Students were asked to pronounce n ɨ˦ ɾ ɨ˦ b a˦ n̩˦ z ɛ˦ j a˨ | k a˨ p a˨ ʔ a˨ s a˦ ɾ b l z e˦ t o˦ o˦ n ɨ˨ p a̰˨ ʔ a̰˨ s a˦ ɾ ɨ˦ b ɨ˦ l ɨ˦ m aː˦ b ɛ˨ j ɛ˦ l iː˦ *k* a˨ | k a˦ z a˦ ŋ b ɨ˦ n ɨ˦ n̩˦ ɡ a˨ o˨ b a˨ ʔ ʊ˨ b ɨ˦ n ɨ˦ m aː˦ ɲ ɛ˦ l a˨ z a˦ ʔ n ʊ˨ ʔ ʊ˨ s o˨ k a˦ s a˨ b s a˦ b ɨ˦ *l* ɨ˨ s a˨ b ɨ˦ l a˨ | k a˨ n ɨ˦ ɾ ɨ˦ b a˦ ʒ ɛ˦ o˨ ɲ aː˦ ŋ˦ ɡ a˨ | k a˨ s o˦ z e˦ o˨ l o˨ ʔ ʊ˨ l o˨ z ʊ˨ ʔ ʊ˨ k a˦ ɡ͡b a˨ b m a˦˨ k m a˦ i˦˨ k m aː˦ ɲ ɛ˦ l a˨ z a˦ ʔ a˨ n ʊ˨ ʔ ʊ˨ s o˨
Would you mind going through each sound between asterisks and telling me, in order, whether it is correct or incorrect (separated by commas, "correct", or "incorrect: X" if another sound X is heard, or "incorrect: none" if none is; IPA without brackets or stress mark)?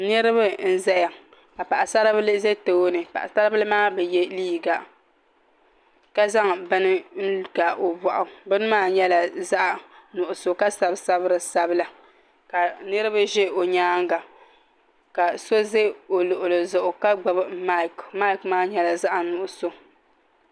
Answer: incorrect: ɡ, incorrect: ɾ